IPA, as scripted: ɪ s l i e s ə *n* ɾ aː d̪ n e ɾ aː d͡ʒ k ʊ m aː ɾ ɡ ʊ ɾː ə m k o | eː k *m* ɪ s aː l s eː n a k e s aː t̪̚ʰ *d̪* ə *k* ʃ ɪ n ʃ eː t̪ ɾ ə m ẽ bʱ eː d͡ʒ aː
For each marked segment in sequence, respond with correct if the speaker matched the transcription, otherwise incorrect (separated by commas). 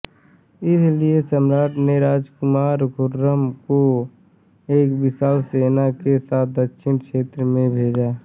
incorrect, incorrect, correct, correct